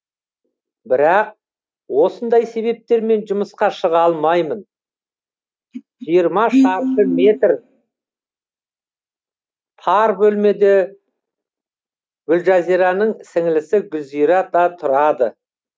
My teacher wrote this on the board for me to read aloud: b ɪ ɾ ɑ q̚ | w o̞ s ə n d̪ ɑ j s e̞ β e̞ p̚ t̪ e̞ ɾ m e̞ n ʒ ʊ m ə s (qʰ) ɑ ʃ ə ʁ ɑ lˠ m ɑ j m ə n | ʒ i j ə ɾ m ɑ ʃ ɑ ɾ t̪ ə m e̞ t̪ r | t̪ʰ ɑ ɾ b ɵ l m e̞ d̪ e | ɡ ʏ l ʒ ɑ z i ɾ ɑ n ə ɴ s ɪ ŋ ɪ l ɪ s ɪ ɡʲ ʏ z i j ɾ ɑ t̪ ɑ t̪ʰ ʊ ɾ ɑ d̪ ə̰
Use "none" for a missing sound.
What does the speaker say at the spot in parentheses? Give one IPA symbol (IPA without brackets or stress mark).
q